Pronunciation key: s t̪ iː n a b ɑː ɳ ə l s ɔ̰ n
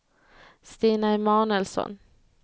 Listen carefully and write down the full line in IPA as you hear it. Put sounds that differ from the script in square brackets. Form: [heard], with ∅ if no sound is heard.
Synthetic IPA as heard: s t̪ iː n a [m] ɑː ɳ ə l s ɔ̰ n